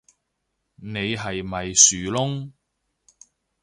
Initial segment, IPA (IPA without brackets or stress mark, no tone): n